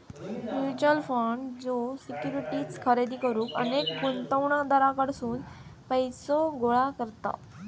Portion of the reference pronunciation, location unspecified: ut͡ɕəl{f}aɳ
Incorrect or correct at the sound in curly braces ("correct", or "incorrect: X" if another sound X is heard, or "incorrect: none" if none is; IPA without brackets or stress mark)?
correct